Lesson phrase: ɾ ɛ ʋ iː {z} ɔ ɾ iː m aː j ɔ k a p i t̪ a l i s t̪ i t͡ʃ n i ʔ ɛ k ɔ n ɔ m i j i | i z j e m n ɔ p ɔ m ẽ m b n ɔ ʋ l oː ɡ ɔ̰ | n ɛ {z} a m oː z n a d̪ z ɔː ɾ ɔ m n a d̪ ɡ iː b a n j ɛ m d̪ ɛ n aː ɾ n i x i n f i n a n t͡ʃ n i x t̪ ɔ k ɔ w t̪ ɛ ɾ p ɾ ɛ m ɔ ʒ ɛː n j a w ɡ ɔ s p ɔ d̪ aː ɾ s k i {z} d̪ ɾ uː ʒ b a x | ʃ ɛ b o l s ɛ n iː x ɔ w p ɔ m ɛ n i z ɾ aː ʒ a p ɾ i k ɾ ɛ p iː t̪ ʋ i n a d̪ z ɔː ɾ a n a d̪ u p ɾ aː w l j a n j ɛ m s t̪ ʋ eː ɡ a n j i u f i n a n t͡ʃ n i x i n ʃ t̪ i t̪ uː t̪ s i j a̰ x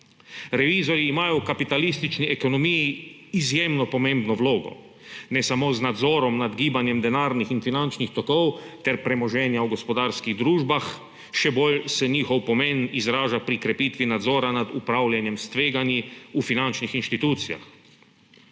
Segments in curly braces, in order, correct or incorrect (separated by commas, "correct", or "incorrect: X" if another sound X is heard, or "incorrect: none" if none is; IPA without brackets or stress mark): correct, incorrect: s, incorrect: ɣ